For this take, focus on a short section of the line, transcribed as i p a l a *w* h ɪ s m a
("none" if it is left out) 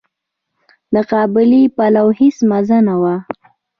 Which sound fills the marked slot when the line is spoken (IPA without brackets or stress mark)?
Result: w